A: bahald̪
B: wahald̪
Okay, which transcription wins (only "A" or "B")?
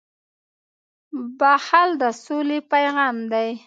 A